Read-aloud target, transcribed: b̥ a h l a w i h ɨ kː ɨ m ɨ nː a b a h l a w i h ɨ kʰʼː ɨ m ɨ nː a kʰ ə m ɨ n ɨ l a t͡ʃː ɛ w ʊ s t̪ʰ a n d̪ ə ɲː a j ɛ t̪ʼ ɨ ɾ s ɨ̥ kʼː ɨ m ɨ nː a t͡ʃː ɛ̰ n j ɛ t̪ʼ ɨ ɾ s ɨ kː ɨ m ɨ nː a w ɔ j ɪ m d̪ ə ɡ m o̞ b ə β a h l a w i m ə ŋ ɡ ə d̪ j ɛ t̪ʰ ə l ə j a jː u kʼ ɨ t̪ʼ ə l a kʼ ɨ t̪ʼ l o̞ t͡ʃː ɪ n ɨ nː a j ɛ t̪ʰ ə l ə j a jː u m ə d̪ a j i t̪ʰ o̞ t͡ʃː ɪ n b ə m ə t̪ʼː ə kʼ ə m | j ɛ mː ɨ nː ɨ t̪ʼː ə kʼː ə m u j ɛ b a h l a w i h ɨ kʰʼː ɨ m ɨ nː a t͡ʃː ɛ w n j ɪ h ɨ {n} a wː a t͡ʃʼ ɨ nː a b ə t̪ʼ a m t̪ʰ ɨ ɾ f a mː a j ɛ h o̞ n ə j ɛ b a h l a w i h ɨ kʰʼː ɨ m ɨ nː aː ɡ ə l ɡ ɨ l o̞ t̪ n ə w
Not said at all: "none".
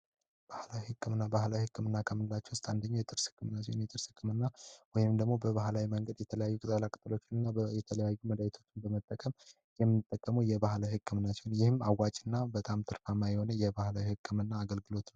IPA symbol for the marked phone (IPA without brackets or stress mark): m